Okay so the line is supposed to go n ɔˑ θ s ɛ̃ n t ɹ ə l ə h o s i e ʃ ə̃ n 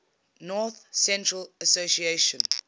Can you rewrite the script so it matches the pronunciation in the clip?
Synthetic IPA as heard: n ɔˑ θ s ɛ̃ n t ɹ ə l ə s o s i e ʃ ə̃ n